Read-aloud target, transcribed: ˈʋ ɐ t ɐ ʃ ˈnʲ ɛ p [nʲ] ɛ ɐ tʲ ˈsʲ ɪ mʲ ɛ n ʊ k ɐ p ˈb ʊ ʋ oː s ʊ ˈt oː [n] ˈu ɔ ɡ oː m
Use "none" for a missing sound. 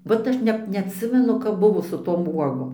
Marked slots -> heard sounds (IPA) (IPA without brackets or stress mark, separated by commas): nʲ, m